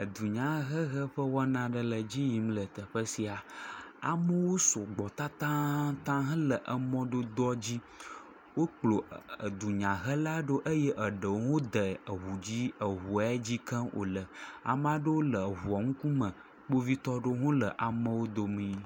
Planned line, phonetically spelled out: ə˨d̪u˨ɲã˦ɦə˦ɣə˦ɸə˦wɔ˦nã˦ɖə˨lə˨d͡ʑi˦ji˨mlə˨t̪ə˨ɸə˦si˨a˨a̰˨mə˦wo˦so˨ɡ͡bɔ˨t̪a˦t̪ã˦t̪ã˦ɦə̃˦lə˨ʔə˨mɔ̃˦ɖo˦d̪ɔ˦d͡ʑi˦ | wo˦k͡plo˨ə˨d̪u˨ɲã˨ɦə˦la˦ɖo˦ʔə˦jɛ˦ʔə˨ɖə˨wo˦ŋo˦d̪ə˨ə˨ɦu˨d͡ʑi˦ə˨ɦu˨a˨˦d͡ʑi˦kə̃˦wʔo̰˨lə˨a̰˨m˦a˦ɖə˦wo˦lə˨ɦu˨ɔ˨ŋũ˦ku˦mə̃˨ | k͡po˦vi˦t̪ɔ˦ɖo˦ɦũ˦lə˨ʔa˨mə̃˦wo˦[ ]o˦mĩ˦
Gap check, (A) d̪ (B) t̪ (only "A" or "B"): A